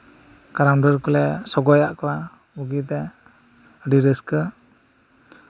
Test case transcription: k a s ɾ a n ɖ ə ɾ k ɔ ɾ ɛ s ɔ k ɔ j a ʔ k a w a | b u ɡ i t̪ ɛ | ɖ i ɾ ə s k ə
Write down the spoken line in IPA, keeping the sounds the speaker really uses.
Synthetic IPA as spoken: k a ɾ a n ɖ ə ɾ k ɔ l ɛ s ɔ ɡ ɔ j a ʔ k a w a | b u ɡ i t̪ ɛ | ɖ i ɾ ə s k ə